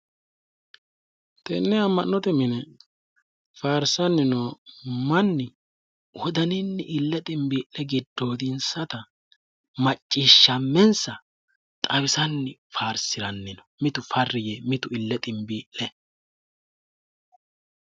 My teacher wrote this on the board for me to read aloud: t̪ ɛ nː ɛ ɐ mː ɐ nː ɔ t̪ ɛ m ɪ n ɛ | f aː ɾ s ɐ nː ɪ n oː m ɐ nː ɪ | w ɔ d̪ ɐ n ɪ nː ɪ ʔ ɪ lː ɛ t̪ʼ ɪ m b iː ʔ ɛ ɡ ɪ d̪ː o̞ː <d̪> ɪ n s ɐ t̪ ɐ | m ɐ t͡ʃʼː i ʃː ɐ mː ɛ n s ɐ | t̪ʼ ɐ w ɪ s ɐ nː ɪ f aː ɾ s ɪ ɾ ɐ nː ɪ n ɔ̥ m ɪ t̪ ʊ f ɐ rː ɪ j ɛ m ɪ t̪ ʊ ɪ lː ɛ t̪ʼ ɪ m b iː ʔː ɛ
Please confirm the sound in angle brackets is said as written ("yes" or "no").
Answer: yes